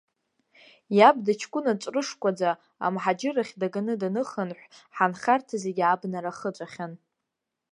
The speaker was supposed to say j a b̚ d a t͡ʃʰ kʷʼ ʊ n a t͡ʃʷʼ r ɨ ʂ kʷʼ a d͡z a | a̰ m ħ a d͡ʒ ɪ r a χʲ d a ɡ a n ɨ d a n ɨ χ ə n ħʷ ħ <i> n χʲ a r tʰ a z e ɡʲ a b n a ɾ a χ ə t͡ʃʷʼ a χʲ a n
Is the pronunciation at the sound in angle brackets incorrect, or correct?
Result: incorrect: a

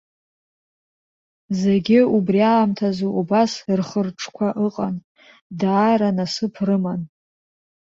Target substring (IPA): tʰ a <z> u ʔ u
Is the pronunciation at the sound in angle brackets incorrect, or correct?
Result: correct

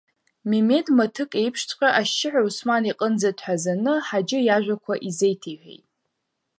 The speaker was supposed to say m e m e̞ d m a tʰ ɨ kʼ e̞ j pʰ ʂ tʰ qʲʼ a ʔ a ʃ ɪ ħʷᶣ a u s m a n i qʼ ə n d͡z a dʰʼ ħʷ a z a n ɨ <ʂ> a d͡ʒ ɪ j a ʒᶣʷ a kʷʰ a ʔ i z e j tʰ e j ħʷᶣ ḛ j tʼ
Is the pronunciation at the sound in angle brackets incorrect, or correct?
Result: incorrect: ħ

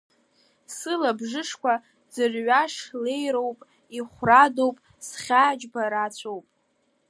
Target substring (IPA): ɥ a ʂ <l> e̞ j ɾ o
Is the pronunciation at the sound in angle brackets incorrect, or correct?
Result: correct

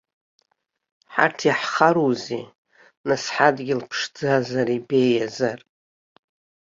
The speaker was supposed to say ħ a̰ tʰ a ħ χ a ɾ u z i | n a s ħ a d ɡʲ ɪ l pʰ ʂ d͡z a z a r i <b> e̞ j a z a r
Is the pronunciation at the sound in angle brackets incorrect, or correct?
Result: correct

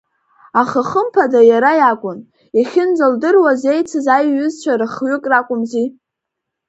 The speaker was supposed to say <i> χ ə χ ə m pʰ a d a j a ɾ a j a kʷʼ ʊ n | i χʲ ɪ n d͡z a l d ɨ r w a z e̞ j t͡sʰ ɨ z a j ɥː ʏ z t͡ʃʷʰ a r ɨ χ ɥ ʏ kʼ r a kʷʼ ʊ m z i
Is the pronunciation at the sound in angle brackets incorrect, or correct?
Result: incorrect: a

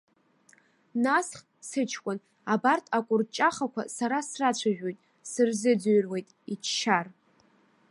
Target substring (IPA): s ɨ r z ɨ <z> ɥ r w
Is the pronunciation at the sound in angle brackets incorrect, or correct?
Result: incorrect: d͡z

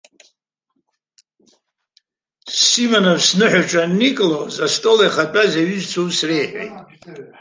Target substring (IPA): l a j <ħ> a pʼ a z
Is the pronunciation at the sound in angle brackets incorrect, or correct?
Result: incorrect: χ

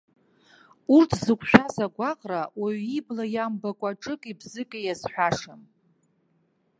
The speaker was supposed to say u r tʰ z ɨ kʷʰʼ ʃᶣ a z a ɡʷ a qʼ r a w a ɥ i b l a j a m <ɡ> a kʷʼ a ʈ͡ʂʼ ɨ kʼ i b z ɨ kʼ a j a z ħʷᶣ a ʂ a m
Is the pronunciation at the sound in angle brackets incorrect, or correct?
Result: incorrect: b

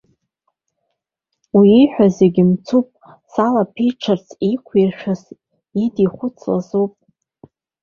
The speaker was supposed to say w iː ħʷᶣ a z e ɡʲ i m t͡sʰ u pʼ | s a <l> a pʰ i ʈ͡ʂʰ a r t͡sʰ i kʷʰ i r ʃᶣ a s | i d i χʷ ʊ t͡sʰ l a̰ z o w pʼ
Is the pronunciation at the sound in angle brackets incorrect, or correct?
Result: correct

